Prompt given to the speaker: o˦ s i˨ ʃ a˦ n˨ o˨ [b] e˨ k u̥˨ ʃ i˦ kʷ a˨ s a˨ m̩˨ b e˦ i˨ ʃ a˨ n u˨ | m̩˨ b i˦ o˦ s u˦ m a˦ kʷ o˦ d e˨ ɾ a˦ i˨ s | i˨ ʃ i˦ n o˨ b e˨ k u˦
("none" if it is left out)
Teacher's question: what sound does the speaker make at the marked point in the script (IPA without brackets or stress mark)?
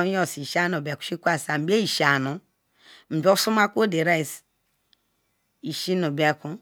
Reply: b